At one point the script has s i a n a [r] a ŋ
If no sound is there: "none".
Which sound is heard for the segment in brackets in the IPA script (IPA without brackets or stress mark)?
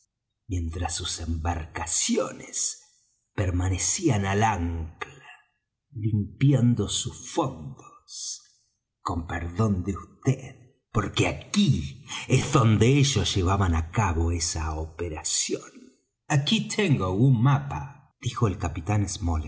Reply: l